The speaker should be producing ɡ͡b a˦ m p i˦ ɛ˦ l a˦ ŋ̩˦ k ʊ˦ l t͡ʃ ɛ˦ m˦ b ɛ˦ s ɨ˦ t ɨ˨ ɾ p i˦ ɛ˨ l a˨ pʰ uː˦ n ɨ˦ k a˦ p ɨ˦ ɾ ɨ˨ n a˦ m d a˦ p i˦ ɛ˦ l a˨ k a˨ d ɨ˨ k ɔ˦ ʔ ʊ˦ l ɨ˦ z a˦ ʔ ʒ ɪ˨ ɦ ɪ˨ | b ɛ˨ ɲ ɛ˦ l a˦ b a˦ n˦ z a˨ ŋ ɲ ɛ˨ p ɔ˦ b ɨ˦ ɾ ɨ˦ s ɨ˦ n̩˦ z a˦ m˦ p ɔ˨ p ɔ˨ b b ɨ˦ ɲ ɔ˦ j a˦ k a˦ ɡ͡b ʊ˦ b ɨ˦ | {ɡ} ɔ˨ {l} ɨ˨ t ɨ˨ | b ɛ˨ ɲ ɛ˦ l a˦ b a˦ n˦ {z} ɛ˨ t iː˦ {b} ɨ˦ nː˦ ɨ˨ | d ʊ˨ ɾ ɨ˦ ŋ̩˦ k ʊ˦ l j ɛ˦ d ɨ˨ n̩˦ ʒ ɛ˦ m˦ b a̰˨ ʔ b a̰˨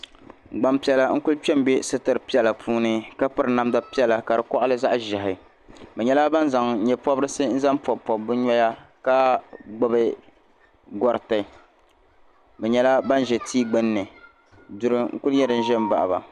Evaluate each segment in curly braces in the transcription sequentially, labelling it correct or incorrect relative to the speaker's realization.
correct, incorrect: ɾ, incorrect: ʒ, incorrect: ɡ͡b

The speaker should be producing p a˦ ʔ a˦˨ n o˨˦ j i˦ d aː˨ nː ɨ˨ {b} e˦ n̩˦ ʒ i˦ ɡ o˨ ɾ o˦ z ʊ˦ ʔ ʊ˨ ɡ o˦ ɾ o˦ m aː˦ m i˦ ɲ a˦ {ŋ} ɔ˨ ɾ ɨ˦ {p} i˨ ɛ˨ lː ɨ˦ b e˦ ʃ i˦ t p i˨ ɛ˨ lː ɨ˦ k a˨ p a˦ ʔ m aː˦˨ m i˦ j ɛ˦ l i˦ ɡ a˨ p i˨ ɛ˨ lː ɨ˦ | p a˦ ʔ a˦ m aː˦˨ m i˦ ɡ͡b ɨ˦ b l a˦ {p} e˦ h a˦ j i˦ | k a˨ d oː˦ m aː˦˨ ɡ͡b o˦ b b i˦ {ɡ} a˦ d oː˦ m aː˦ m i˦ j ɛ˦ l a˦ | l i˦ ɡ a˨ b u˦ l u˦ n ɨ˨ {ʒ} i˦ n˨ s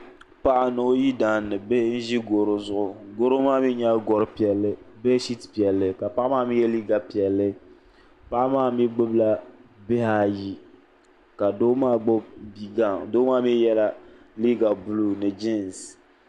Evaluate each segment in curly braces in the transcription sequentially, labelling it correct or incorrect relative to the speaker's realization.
correct, incorrect: ɡ, correct, incorrect: b, correct, incorrect: d͡ʒ

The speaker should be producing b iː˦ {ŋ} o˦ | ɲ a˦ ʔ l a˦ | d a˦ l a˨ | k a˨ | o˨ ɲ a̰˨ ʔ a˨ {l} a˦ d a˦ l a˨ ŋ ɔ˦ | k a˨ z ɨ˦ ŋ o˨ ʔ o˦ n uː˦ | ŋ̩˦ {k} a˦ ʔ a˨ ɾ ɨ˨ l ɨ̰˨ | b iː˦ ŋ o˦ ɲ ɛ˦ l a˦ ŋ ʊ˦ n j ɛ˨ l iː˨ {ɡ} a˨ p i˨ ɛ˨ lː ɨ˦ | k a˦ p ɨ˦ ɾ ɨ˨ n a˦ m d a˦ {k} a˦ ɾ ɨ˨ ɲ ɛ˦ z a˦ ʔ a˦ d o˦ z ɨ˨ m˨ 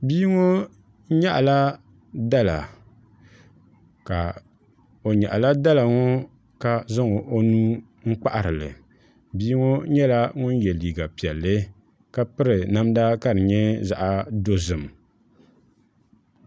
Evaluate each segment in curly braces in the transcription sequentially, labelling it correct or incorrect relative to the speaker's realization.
correct, correct, incorrect: k͡p, correct, correct

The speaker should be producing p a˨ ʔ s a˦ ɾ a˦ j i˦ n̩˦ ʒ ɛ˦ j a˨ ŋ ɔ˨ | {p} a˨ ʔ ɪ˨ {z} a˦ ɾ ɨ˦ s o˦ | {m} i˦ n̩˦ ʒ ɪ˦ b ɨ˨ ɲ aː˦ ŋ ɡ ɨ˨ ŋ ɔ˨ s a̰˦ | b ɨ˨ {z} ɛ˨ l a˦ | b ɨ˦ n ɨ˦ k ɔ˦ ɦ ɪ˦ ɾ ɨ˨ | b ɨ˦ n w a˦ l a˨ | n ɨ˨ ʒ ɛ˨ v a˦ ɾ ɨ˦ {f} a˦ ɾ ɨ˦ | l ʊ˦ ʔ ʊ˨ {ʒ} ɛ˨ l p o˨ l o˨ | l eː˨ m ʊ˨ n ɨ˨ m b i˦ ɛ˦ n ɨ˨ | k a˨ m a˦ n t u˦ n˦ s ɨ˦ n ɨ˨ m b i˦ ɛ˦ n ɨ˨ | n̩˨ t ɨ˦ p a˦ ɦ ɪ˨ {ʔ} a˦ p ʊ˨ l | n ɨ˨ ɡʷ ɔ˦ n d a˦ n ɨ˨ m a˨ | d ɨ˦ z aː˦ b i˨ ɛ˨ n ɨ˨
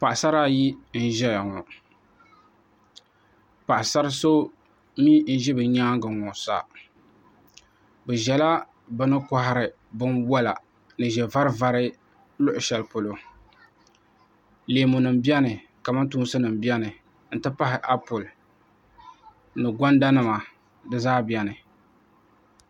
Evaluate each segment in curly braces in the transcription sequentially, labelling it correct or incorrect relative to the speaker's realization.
correct, incorrect: s, correct, incorrect: ʒ, incorrect: v, incorrect: ʃ, correct

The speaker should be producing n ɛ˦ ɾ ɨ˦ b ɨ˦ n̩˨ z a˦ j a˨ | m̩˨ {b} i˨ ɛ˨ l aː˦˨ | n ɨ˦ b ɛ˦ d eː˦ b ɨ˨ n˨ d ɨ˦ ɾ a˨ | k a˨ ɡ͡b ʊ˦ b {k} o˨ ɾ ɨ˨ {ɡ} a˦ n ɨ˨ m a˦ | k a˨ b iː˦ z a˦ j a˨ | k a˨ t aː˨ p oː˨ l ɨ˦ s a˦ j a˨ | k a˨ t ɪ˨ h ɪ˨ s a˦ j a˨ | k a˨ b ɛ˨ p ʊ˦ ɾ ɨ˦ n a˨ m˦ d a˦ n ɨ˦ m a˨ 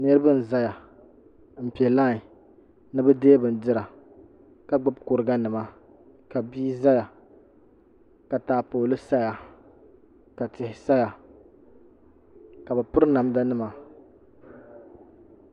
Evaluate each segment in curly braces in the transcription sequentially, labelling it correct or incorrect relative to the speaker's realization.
incorrect: p, correct, correct

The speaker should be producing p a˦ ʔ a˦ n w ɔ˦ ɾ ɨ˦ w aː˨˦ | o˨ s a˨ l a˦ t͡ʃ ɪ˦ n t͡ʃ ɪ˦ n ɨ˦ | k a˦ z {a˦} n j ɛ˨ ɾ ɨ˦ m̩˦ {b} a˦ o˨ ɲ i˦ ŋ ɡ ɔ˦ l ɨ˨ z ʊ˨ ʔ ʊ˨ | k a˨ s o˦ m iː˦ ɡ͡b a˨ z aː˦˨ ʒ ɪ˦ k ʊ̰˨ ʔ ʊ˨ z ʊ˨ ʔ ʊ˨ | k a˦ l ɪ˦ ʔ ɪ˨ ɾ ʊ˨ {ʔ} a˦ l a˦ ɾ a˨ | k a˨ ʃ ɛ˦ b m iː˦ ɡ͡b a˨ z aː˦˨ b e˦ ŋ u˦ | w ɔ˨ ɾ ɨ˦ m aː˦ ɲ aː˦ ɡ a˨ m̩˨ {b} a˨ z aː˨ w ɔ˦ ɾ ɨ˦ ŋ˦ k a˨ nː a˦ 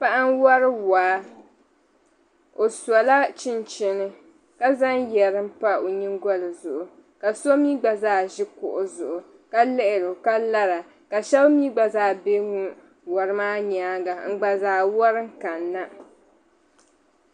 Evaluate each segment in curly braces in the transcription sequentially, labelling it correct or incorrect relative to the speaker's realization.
correct, incorrect: p, incorrect: k, incorrect: ɡ͡b

